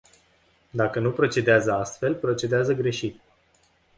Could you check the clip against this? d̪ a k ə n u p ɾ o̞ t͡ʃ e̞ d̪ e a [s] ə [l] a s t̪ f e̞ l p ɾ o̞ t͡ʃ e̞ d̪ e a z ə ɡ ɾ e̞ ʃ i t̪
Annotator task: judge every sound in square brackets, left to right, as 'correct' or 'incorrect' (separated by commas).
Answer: incorrect, incorrect